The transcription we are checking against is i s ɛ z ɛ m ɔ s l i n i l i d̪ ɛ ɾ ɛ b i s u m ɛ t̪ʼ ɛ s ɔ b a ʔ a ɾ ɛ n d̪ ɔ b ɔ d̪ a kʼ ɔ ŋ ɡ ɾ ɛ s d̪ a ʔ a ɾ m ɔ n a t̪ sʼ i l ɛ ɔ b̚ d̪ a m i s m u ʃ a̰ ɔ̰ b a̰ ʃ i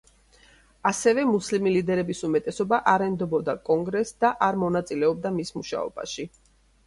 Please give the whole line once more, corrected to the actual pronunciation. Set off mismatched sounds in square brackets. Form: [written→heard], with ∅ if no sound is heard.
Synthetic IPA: [i→a] s ɛ [z→v] ɛ m [ɔ→u] s l i [n→m] i l i d̪ ɛ ɾ ɛ b i s u m ɛ t̪ʼ ɛ s ɔ b a ʔ a ɾ ɛ n d̪ ɔ b ɔ d̪ a kʼ ɔ ŋ ɡ ɾ ɛ s d̪ a ʔ a ɾ m ɔ n a t̪ sʼ i l ɛ ɔ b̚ d̪ a m i s m u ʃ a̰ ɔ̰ b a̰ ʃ i